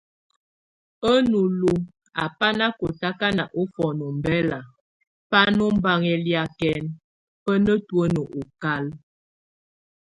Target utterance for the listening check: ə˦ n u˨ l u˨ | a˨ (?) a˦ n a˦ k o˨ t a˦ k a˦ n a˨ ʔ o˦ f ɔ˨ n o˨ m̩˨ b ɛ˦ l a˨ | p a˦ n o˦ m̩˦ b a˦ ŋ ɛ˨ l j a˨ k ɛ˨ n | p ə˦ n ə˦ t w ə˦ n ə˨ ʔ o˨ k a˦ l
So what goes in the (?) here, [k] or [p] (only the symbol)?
p